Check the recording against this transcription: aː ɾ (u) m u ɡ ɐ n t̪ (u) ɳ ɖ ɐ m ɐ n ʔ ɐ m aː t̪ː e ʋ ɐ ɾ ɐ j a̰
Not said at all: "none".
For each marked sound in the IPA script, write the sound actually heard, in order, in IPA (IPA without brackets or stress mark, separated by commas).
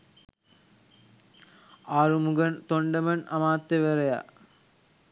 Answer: u, o